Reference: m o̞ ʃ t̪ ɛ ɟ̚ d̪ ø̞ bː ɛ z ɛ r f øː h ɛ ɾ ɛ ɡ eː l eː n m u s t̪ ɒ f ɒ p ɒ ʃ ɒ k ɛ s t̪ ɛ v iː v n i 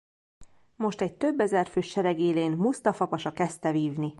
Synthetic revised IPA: m o̞ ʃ t̪ ɛ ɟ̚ t̪ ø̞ bː ɛ z ɛ r f øː ʃ ɛ ɾ ɛ ɡ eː l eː n m u s t̪ ɒ f ɒ p ɒ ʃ ɒ k ɛ s t̪ ɛ v iː v n i